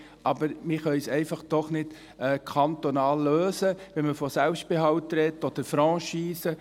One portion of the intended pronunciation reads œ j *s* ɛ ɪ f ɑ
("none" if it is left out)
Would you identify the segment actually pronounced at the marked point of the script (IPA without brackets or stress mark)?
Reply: s